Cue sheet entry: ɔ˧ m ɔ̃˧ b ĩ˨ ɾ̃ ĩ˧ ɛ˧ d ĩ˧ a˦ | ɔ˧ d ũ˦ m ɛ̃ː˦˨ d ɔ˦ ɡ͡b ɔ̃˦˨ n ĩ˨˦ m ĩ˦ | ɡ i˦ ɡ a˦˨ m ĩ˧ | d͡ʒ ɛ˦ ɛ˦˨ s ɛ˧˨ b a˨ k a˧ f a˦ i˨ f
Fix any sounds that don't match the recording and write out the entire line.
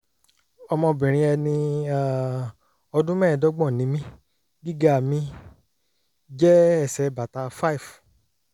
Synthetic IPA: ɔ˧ m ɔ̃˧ b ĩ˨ ɾ̃ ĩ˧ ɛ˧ n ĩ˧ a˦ | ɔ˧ d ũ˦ m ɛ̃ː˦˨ d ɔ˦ ɡ͡b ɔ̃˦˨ n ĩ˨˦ m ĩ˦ | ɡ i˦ ɡ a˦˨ m ĩ˧ | d͡ʒ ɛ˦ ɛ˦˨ s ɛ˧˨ b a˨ t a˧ f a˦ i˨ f